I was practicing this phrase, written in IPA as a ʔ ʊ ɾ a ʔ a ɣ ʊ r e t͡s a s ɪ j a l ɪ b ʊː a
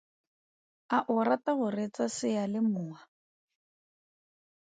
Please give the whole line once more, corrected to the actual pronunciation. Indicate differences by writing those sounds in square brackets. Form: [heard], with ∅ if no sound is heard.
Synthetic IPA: a ʔ ʊ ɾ a [t] a ɣ ʊ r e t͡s a s ɪ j a l ɪ [m] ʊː a